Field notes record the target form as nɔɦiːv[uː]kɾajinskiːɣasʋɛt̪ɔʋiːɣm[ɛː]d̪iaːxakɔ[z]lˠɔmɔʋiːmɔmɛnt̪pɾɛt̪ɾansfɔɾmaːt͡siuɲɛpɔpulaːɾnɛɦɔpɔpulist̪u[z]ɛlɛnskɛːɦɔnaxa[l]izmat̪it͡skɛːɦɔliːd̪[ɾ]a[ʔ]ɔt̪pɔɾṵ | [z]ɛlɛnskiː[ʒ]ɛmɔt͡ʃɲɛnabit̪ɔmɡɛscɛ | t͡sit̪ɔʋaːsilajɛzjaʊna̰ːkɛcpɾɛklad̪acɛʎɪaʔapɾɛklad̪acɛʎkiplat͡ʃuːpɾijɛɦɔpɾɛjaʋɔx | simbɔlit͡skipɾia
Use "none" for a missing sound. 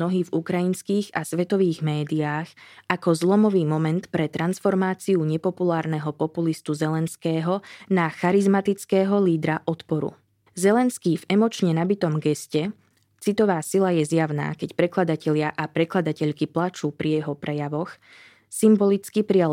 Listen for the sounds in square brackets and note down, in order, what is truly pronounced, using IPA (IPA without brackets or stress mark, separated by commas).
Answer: u, ɛː, z, z, ɾ, ɾ, ʔ, z, v